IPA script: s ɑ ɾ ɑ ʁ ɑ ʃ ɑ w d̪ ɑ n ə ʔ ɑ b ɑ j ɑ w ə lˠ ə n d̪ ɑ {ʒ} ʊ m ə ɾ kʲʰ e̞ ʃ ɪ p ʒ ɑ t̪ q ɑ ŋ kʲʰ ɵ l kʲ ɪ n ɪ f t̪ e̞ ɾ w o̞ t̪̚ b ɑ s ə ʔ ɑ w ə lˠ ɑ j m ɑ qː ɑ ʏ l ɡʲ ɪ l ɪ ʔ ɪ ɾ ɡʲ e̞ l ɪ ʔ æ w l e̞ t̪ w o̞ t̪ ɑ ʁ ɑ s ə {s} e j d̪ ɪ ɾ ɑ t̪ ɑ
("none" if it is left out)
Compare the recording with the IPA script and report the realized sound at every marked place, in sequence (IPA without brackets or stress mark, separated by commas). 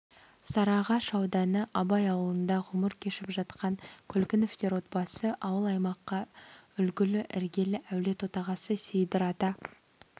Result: ʁ, s